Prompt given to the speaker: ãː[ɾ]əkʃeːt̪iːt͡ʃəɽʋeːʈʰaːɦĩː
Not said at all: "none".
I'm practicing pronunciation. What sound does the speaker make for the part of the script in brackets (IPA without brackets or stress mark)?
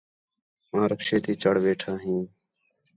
ɾ